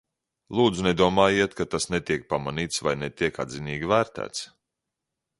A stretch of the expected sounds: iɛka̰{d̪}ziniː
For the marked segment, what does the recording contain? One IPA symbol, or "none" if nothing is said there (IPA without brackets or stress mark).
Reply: d̪